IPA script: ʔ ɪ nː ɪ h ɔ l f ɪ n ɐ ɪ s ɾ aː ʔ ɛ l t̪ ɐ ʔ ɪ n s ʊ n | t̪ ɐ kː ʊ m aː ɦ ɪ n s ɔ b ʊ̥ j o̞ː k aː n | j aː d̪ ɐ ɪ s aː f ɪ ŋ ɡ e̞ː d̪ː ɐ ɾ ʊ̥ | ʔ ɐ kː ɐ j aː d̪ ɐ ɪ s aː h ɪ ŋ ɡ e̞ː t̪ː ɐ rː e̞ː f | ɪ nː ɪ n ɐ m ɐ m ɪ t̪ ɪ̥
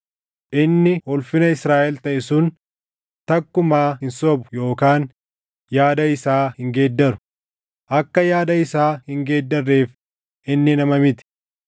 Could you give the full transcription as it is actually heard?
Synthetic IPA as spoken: ʔ ɪ nː ɪ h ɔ l f ɪ n ɐ ɪ s ɾ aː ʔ ɛ l t̪ ɐ ʔ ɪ s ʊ n | t̪ ɐ kː ʊ m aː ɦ ɪ n s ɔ b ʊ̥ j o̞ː k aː n | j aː d̪ ɐ ɪ s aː h ɪ ŋ ɡ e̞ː d̪ː ɐ ɾ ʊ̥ | ʔ ɐ kː ɐ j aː d̪ ɐ ɪ s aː h ɪ ŋ ɡ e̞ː d̪ː ɐ rː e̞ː f | ɪ nː ɪ n ɐ m ɐ m ɪ t̪ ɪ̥